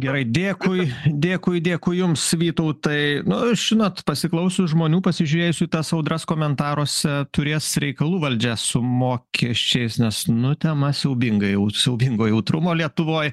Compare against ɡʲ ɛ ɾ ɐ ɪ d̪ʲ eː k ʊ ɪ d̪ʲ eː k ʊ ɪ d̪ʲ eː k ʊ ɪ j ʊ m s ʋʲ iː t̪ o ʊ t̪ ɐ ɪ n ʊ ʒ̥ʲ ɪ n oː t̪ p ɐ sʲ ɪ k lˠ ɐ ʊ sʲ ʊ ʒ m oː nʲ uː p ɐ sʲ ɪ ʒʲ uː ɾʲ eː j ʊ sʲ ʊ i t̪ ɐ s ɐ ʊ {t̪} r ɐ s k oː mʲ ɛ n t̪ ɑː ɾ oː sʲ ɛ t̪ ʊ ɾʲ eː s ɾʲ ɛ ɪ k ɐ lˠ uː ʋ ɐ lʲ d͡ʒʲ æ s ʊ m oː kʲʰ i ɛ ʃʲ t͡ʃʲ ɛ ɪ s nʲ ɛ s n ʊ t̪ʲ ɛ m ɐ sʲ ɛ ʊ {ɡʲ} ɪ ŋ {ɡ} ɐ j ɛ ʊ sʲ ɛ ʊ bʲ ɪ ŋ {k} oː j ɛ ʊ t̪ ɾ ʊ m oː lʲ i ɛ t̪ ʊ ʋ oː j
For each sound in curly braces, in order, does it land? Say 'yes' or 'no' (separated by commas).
no, no, yes, no